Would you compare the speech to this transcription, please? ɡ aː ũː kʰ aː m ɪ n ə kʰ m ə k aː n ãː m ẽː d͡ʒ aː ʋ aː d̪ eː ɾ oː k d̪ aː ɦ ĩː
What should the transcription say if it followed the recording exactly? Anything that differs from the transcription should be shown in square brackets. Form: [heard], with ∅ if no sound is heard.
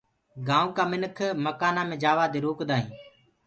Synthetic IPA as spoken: ɡ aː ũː [k] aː m ɪ n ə kʰ m ə k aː n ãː m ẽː d͡ʒ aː ʋ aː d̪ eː ɾ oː k d̪ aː ɦ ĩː